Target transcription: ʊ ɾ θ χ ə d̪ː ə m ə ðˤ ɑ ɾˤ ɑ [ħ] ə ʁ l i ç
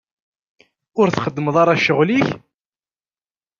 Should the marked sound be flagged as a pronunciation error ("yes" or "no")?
yes